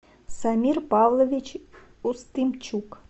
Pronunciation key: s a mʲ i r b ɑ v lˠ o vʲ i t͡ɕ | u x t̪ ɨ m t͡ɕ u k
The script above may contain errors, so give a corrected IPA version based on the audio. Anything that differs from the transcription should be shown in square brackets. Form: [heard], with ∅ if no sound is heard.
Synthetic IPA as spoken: s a mʲ i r [p] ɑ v lˠ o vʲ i t͡ɕ | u [s] t̪ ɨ m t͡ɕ u k

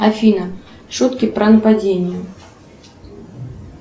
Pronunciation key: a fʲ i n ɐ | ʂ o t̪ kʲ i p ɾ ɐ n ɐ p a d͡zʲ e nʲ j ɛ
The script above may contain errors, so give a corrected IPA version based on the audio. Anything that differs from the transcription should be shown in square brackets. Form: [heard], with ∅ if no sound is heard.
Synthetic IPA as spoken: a fʲ i n ɐ | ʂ [u] t̪ kʲ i p ɾ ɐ n ɐ p a d͡zʲ e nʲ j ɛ

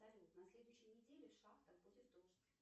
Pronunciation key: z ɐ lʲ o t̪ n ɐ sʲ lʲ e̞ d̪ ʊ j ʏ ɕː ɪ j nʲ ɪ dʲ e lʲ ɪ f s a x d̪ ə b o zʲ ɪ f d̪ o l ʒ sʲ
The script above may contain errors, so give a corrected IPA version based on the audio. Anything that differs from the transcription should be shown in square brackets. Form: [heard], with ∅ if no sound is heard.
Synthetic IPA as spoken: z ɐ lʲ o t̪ n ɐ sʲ lʲ e̞ d̪ ʊ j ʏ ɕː ɪ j nʲ ɪ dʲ e lʲ ɪ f [ʂ] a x [t̪] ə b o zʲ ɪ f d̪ o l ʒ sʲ

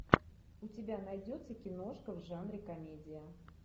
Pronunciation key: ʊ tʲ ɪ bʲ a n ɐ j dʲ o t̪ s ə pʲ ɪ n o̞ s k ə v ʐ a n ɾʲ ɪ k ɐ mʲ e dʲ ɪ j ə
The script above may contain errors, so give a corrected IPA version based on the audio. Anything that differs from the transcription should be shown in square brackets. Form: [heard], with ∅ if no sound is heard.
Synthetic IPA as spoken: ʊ tʲ ɪ bʲ a n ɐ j dʲ o t̪ s ə [kʲ] ɪ n o̞ [ʂ] k ə v ʐ a n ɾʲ ɪ k ɐ mʲ e dʲ ɪ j ə

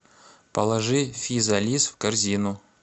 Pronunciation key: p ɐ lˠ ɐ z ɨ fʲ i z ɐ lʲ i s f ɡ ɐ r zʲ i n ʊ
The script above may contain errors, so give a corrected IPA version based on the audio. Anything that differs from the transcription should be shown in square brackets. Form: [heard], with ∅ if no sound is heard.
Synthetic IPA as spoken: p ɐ lˠ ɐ [ʐ] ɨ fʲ i z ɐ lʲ i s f [k] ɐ r zʲ i n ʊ

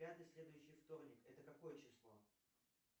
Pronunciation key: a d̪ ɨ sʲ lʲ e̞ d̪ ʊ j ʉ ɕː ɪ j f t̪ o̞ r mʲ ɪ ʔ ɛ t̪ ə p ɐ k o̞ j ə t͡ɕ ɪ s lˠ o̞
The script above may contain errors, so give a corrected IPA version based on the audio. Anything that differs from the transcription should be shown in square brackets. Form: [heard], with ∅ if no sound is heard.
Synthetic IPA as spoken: a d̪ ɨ sʲ lʲ e̞ d̪ ʊ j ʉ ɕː ɪ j f t̪ o̞ r [nʲ] ɪ [k] ɛ t̪ ə [k] ɐ k o̞ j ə t͡ɕ ɪ s lˠ o̞

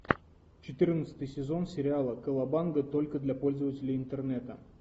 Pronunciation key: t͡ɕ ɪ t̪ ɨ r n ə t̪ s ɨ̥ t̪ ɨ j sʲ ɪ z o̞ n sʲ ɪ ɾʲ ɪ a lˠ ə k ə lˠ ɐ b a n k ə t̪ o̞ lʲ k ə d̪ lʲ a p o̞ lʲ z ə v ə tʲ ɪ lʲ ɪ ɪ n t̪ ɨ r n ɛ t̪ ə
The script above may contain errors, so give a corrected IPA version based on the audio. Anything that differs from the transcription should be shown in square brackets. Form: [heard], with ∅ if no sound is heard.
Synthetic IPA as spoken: t͡ɕ ɪ t̪ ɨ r n ə t̪ s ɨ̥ t̪ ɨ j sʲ ɪ z o̞ n sʲ ɪ ɾʲ ɪ a lˠ ə k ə lˠ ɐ b a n [ɡ] ə t̪ o̞ lʲ k ə d̪ lʲ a p o̞ lʲ z ə v ə tʲ ɪ lʲ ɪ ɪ n t̪ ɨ r n ɛ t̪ ə

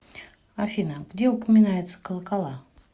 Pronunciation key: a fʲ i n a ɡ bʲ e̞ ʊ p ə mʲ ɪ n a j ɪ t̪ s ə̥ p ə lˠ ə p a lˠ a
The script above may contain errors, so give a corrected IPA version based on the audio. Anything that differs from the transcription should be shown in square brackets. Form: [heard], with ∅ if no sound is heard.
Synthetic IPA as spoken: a fʲ i n [ə] ɡ [dʲ] e̞ ʊ p ə mʲ ɪ n a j ɪ t̪ s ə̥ [k] ə lˠ ə [k] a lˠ a

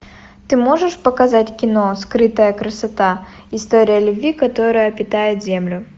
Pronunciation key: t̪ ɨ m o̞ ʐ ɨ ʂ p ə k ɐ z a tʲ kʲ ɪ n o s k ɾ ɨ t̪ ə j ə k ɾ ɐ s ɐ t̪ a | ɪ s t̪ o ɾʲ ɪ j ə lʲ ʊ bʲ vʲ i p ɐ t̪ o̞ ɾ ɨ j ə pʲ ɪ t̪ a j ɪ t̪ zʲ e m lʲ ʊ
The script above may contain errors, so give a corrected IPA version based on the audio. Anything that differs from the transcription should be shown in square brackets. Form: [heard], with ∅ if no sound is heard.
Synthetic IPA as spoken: t̪ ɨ m o̞ ʐ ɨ ʂ p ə k ɐ z a tʲ kʲ ɪ n o s k ɾ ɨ t̪ ə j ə k ɾ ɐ s ɐ t̪ a | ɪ s t̪ o ɾʲ ɪ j ə lʲ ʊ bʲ vʲ i [k] ɐ t̪ o̞ ɾ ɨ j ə pʲ ɪ t̪ a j ɪ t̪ zʲ e m lʲ ʊ

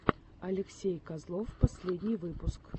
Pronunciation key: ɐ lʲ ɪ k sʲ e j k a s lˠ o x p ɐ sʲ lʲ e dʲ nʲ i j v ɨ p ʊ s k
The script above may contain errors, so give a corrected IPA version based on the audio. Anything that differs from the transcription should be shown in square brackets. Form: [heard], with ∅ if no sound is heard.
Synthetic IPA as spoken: ɐ lʲ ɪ k sʲ e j k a [z] lˠ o [f] p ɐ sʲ lʲ e dʲ nʲ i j v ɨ p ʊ s k

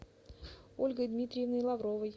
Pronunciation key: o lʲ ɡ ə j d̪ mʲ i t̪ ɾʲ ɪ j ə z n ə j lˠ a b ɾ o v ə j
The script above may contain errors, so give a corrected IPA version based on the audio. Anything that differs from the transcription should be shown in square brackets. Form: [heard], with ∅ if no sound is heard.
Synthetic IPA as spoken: o lʲ ɡ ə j d̪ mʲ i t̪ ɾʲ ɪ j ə [v] n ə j lˠ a [v] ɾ o v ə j

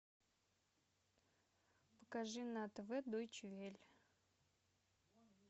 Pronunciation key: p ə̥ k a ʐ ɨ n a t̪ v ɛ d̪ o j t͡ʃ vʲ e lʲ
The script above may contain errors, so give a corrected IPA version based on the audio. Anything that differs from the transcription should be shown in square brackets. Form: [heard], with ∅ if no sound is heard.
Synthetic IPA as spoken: p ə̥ k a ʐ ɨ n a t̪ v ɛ d̪ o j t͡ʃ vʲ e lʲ

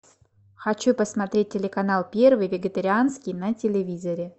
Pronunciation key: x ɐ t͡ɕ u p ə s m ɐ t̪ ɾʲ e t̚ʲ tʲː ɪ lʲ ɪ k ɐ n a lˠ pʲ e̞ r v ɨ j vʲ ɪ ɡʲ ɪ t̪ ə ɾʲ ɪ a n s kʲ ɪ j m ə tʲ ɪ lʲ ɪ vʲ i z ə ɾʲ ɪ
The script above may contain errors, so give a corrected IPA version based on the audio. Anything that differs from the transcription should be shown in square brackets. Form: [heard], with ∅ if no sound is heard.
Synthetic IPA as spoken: x ɐ t͡ɕ u p ə s m ɐ t̪ ɾʲ e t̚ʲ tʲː ɪ lʲ ɪ k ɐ n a lˠ pʲ e̞ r v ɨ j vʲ ɪ ɡʲ ɪ t̪ ə ɾʲ ɪ a n s kʲ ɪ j [n] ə tʲ ɪ lʲ ɪ vʲ i z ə ɾʲ ɪ

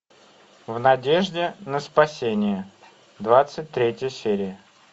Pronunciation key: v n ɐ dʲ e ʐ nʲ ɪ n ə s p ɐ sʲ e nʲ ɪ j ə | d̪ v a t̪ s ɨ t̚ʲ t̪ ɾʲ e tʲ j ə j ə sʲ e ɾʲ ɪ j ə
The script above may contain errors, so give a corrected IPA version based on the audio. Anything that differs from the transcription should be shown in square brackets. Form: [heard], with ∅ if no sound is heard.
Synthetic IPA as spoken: v n ɐ dʲ e ʐ [dʲ] ɪ n ə s p ɐ sʲ e nʲ ɪ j ə | d̪ v a t̪ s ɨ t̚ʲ t̪ ɾʲ e tʲ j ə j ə sʲ e ɾʲ ɪ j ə

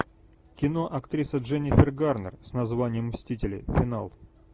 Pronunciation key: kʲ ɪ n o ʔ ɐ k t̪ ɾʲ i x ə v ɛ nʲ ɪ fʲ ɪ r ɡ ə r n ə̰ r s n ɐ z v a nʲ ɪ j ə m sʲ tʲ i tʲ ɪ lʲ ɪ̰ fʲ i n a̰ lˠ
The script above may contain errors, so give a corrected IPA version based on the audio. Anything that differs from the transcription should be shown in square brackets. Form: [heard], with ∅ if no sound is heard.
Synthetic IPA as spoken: kʲ ɪ n o ʔ ɐ k t̪ ɾʲ i [s] ə [ʐ] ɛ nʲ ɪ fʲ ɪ r ɡ [a] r n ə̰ r s n ɐ z v a nʲ ɪ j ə m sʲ tʲ i tʲ ɪ lʲ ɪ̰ fʲ [ɪ] n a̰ lˠ

